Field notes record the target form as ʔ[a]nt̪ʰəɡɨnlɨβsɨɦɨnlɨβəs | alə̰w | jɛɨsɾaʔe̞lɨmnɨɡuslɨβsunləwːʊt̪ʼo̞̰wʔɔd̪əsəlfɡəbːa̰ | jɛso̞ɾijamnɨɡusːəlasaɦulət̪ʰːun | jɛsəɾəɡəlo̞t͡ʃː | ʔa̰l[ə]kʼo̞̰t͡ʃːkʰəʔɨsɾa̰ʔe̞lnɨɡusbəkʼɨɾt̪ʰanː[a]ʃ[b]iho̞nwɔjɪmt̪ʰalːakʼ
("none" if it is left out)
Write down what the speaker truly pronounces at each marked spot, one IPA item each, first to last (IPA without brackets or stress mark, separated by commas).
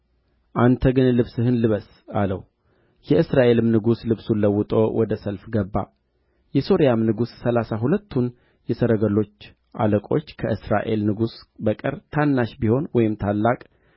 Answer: a, ə, a, b